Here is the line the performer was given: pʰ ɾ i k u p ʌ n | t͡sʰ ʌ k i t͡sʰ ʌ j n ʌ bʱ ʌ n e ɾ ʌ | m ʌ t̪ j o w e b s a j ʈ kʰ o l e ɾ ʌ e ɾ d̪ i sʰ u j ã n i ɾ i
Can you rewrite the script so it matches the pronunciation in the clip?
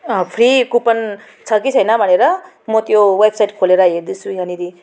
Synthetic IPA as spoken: pʰ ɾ i k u p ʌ n | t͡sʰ ʌ k i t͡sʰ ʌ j n ʌ bʱ ʌ n e ɾ ʌ | m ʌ t̪ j o w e b s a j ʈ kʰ o l e ɾ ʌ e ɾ d̪ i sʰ u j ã n i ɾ i

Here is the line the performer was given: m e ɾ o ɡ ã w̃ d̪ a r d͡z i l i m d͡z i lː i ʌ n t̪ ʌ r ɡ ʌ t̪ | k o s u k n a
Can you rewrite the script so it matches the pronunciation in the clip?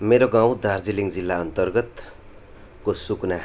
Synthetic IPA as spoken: m e ɾ o ɡ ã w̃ d̪ a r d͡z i l i ŋ d͡z i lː a ʌ n t̪ ʌ r ɡ ʌ t̪ | k o s u k n a

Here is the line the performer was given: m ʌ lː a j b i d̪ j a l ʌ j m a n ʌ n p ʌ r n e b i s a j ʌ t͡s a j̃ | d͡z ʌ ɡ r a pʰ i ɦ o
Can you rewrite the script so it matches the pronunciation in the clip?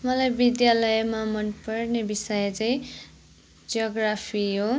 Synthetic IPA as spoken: m ʌ l a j b i d̪ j a l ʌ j m a m ʌ n p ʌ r n e b i s ʌ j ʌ t͡s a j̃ | d͡z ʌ ɡ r a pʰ i ɦ o

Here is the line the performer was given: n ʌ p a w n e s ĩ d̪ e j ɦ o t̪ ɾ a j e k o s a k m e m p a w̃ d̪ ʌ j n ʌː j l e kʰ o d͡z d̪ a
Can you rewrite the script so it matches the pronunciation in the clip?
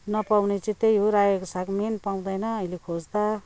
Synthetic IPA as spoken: n ʌ p a w n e t͡s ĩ t̪ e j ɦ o ɾ a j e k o s a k m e n p a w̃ d̪ ʌ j n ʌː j l e kʰ o d͡z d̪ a

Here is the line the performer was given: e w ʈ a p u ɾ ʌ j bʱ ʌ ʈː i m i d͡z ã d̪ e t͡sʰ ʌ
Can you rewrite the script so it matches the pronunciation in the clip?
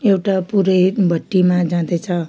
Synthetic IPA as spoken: e w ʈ a p u ɾ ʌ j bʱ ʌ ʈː i m a d͡z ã d̪ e t͡sʰ ʌ

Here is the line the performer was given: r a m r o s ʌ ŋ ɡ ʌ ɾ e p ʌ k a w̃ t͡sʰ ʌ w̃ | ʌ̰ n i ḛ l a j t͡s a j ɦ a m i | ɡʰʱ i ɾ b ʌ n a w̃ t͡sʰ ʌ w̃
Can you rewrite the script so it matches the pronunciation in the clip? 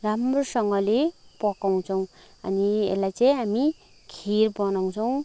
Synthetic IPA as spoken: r a m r o s ʌ ŋ ɡ ʌ l e p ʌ k a w̃ t͡sʰ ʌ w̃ | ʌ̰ n i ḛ l a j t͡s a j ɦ a m i | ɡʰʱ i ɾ b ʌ n a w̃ t͡sʰ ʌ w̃

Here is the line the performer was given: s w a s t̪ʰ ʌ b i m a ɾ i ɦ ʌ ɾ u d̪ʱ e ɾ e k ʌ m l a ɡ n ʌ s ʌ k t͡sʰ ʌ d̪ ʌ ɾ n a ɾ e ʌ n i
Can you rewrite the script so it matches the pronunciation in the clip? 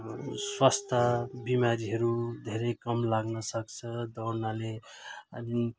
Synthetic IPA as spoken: s w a s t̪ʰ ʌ b i m a ɾ i ɦ ʌ ɾ u d̪ʱ e ɾ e k ʌ m l a ɡ n ʌ s ʌ k t͡sʰ ʌ d̪ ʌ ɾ n a l e ʌ n i

